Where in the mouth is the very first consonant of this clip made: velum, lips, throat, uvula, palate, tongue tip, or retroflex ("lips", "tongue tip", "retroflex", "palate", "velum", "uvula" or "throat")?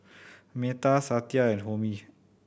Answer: lips